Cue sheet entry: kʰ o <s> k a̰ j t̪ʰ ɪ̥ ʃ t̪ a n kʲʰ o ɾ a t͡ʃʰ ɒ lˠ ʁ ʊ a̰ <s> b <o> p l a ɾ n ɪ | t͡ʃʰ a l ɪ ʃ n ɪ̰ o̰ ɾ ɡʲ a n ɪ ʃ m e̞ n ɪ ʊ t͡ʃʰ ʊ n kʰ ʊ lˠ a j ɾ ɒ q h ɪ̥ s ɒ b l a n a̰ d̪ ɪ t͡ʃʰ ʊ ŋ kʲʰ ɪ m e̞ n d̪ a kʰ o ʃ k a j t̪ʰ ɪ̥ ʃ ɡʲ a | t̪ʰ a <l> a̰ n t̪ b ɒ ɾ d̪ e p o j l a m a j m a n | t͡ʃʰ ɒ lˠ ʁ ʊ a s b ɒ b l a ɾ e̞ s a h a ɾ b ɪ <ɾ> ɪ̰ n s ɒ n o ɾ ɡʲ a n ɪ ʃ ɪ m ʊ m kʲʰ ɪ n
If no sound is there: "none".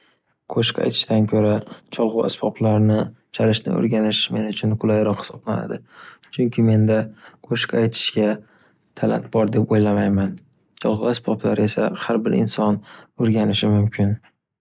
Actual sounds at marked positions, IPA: ʃ, s, ɒ, l, ɾ

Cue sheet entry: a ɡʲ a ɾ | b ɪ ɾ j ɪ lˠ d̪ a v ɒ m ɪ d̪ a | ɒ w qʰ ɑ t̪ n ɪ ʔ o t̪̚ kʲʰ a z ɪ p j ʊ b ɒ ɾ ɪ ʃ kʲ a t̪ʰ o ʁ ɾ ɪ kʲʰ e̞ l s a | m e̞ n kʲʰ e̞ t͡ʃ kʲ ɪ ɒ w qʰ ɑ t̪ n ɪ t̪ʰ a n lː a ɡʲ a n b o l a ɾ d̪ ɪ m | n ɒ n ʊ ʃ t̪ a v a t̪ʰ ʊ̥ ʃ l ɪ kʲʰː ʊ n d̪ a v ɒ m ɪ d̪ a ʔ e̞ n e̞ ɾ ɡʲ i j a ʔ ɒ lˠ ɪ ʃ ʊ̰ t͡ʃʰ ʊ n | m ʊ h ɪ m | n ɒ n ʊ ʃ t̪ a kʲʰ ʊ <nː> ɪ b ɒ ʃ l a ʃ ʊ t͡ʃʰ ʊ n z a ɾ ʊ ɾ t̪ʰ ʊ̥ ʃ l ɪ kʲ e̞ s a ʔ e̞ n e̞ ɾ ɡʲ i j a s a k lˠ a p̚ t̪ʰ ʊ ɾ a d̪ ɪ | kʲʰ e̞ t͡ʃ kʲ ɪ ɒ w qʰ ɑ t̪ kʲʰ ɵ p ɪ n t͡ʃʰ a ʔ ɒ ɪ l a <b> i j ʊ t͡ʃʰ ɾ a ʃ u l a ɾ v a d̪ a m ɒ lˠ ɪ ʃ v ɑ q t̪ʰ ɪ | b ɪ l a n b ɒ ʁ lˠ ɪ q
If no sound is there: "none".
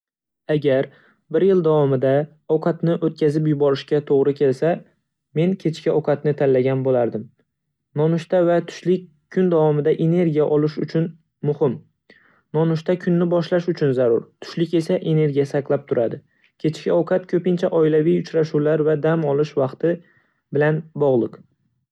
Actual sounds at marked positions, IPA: nː, v

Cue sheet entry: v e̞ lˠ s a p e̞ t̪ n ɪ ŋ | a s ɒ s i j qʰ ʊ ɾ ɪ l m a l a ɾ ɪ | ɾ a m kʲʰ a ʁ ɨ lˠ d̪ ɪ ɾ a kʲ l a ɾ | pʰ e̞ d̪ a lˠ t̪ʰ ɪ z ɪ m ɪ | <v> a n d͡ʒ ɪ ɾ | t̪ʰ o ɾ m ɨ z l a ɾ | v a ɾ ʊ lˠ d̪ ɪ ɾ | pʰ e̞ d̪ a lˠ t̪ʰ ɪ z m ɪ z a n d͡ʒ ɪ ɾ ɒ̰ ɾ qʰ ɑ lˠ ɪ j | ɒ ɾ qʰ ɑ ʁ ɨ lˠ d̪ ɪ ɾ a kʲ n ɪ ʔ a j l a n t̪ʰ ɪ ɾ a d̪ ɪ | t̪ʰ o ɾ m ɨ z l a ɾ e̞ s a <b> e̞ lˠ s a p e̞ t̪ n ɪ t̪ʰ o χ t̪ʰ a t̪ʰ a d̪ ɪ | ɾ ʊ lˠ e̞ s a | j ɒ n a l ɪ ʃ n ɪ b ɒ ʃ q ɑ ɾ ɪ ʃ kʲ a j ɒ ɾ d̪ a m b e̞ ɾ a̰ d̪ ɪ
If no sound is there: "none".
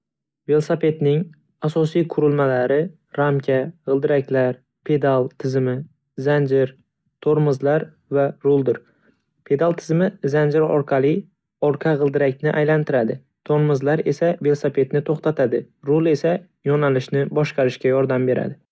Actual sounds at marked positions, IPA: z, v

